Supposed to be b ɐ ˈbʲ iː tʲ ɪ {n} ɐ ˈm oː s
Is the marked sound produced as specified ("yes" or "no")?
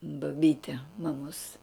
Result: no